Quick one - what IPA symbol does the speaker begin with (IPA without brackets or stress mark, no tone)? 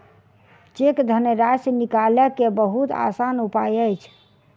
t͡ʃ